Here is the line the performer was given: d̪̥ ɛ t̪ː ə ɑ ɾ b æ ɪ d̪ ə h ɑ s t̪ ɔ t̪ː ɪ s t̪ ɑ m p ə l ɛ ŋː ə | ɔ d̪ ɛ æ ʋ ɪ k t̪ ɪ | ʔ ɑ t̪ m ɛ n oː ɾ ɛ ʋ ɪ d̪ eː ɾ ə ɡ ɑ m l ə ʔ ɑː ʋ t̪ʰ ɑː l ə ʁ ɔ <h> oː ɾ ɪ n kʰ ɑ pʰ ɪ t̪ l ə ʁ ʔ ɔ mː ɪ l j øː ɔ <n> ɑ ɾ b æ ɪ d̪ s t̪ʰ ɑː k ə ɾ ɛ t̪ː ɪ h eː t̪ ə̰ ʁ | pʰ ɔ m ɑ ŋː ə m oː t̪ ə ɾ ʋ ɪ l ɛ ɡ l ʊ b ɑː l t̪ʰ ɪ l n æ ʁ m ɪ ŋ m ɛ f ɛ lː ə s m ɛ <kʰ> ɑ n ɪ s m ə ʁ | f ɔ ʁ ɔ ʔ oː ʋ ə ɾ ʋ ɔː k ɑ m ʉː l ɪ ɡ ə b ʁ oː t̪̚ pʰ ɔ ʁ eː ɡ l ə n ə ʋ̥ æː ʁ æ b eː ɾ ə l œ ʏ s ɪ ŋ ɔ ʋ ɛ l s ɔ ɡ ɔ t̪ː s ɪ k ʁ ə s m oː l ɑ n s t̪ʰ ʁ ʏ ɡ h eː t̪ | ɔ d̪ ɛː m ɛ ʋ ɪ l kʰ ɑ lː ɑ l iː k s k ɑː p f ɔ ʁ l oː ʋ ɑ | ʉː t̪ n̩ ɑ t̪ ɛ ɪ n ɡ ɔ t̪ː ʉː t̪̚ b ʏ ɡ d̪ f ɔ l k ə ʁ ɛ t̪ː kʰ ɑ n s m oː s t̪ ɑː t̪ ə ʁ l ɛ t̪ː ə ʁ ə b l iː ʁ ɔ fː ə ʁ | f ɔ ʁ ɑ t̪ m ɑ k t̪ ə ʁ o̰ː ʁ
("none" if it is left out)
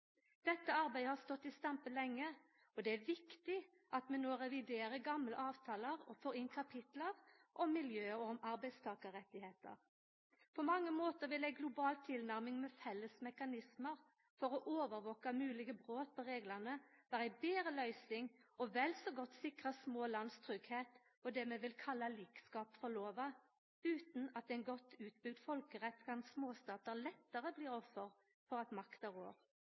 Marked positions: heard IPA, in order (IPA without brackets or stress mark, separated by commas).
f, m, k